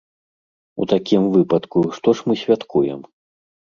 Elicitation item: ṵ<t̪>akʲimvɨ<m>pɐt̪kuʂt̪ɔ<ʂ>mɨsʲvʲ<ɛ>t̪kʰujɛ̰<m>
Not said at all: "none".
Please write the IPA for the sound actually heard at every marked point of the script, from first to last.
t̪, none, ʂ, a, m

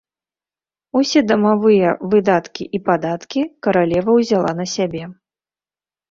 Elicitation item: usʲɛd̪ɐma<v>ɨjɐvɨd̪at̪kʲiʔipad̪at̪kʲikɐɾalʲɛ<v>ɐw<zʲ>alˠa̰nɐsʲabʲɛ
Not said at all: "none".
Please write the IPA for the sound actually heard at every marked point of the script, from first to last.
v, v, zʲ

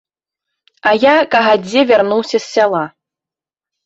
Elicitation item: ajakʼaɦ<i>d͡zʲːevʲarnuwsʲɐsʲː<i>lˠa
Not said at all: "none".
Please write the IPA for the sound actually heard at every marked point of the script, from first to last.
a, a

